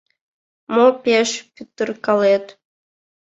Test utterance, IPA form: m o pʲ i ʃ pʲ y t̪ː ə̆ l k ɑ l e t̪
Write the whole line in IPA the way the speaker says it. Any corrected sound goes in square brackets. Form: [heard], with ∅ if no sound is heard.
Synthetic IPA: m o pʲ [e] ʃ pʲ y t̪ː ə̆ [r] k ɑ l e t̪